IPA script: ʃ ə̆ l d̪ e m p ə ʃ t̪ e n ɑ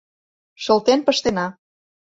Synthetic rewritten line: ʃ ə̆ l t̪ e n p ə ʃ t̪ e n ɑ